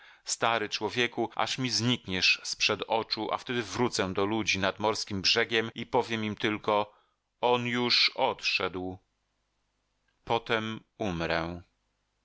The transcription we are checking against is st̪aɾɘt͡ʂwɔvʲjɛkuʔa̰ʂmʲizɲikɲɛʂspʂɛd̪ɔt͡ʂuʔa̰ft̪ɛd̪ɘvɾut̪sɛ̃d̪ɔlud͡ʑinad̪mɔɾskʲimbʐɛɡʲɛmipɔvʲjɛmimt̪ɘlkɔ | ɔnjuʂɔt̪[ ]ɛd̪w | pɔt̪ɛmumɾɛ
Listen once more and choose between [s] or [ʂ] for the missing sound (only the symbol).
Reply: ʂ